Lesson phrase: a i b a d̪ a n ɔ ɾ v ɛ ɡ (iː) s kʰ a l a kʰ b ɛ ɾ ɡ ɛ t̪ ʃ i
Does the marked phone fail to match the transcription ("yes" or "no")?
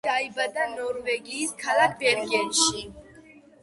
no